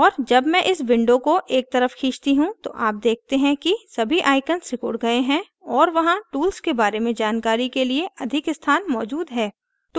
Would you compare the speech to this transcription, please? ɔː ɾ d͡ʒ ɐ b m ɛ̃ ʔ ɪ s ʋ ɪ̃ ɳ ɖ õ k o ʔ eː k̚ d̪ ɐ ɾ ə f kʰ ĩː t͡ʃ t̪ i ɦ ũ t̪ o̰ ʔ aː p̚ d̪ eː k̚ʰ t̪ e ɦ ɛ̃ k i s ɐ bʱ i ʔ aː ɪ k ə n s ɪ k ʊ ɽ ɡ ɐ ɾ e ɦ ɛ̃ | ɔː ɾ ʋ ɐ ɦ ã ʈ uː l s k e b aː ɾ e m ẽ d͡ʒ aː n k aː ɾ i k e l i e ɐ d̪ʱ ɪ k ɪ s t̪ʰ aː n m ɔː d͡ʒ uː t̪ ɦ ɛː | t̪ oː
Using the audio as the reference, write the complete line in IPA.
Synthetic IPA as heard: ɔː ɾ d͡ʒ ɐ b m ɛ̃ ʔ ɪ s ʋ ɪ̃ ɳ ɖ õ k o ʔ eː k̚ t̪ ɐ ɾ ə f kʰ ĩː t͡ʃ t̪ i ɦ ũ t̪ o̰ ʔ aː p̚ d̪ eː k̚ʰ t̪ e ɦ ɛ̃ k i s ɐ bʱ i ʔ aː ɪ k ə n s ɪ k ʊ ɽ ɡ ɐ e ɦ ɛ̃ | ɔː ɾ ʋ ɐ ɦ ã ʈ uː l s k e b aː ɾ e m ẽ d͡ʒ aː n k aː ɾ i k e l i e ɐ d̪ʱ ɪ k ɪ s t̪ʰ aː n m ɔː d͡ʒ uː d̪ ɦ ɛː | t̪ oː